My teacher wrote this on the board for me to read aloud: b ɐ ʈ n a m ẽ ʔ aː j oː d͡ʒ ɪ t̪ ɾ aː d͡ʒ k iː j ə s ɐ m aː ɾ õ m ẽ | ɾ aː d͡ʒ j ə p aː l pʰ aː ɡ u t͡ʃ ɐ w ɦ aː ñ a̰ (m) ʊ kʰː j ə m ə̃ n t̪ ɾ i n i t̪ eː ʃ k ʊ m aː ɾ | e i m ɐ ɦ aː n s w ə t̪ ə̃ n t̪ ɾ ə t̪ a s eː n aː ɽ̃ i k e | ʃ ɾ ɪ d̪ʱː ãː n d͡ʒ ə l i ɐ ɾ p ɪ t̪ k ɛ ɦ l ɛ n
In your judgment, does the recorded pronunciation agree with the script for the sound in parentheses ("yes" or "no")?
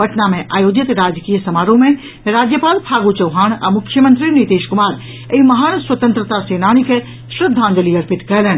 yes